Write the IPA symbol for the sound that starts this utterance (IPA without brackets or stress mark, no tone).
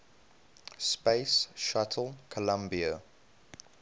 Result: s